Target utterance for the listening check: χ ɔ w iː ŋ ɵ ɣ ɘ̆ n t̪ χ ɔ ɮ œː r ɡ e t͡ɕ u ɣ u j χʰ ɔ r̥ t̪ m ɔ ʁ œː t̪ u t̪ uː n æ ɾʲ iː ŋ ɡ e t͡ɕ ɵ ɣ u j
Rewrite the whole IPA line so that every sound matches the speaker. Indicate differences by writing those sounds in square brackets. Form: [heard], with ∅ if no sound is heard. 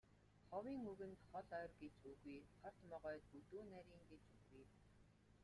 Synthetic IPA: χ ɔ w iː ŋ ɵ ɣ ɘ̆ n t̪ χ ɔ ɮ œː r ɡ e t͡ɕ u ɣ u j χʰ ɔ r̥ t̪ m ɔ ʁ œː t̪ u t̪ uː n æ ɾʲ iː ŋ ɡ e t͡ɕ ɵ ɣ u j